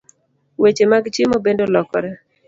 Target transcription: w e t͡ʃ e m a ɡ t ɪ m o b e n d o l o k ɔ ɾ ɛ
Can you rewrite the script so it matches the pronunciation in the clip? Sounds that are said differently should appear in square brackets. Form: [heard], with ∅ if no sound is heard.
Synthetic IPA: w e t͡ʃ e m a ɡ [t͡ʃ] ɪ m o b e n d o l [ɔ] k ɔ ɾ ɛ

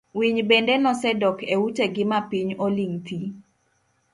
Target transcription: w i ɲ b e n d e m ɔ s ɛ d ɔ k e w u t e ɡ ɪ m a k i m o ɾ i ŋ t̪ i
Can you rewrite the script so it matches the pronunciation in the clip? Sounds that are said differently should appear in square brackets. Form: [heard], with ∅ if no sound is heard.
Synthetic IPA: w i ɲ b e n d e [n] ɔ s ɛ d ɔ k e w u t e ɡ ɪ m a [p] i [ɲ] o [l] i ŋ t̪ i

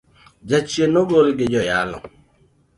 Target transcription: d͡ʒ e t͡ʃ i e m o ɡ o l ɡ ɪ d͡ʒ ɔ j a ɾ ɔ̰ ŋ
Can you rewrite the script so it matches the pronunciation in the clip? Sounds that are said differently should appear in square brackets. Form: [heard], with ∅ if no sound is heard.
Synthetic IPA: d͡ʒ [a] t͡ʃ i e [n] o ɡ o l ɡ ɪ d͡ʒ ɔ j a [l] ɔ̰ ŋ

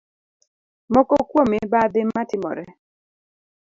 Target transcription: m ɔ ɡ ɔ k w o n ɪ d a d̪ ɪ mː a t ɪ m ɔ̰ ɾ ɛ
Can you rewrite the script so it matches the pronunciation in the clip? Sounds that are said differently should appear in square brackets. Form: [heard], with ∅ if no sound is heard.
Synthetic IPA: m ɔ [k] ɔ k w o [m] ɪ [b] a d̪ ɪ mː a t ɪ m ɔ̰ ɾ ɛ

